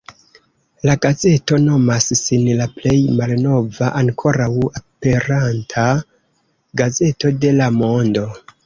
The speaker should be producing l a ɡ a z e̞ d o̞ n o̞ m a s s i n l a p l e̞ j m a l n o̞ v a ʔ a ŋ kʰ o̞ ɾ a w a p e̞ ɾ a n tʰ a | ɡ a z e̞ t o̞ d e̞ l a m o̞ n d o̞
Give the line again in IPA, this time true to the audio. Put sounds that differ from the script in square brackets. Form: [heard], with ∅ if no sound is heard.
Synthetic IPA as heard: l a ɡ a z e̞ [t] o̞ n o̞ m a s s i n l a p l e̞ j m a l n o̞ v a ʔ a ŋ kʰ o̞ ɾ a w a p e̞ ɾ a n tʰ a | ɡ a z e̞ t o̞ d e̞ l a m o̞ n d o̞